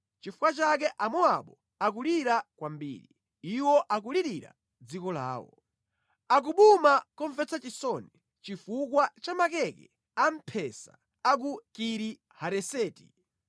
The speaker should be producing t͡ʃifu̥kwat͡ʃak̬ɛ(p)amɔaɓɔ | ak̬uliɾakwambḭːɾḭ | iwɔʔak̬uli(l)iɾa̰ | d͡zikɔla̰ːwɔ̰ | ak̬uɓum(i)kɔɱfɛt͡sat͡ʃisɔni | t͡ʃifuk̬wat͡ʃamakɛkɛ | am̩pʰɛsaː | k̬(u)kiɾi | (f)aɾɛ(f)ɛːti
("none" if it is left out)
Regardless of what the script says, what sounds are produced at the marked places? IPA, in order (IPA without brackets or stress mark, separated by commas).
ʔ, ɾ, a, u, h, s